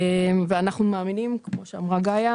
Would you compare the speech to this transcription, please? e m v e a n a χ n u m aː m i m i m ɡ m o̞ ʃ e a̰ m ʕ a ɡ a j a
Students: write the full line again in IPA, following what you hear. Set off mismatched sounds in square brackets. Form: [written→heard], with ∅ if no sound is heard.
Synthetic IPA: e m v e a n a χ n u m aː m i [m→n] i m [ɡ→k] m o̞ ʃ e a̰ m [ʕ→ʁ] a ɡ a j a